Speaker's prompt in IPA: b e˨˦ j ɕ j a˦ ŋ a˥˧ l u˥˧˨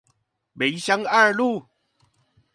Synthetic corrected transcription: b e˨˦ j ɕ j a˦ ŋ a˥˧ l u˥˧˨